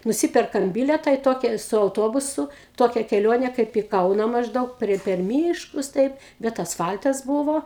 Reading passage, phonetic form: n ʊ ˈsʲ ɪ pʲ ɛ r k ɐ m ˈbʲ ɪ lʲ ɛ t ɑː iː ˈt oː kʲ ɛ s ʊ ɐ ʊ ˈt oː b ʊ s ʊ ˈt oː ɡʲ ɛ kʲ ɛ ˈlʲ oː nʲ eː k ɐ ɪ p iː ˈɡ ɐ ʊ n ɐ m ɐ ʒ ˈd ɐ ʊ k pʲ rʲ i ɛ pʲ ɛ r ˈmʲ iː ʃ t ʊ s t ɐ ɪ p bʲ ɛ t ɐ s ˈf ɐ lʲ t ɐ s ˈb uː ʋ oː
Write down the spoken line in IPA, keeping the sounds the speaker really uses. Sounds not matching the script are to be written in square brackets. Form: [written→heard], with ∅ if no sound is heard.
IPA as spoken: n ʊ ˈsʲ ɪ pʲ ɛ r k ɐ m ˈbʲ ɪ lʲ ɛ t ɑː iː ˈt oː kʲ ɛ s ʊ ɐ ʊ ˈt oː b ʊ s ʊ ˈt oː [ɡʲ→kʲ] ɛ kʲ ɛ ˈlʲ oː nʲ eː k ɐ ɪ p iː [ˈɡ→ˈk] ɐ ʊ n ɐ m ɐ ʒ ˈd ɐ ʊ k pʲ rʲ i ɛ pʲ ɛ r ˈmʲ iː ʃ [t→k] ʊ s t ɐ ɪ p bʲ ɛ t ɐ s ˈf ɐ lʲ t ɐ s ˈb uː ʋ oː